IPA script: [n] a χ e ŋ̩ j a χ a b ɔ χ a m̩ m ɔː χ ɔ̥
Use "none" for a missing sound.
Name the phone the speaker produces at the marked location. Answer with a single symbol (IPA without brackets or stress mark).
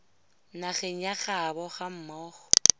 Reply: n